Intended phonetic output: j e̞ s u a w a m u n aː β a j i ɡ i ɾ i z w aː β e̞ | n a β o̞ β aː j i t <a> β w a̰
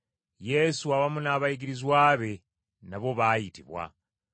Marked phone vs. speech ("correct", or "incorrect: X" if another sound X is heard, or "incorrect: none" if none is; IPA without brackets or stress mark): incorrect: i